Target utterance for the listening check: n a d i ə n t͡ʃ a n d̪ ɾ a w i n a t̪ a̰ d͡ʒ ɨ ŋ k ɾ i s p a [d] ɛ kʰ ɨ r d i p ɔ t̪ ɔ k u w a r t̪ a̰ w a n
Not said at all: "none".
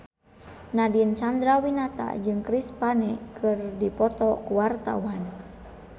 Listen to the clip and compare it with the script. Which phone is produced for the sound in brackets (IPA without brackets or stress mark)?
n